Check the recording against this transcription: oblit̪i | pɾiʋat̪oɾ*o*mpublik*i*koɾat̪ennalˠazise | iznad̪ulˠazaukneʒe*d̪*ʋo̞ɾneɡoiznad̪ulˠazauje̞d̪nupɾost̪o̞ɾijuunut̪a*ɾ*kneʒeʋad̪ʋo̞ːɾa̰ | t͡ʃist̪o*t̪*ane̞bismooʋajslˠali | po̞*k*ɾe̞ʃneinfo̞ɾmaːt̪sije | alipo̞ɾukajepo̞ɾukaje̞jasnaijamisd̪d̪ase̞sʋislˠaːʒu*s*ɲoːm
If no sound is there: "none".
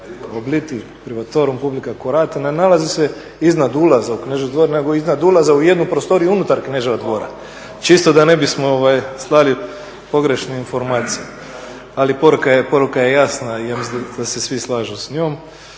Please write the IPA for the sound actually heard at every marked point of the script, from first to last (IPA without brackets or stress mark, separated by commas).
u, a, d̪, ɾ, d̪, ɡ, s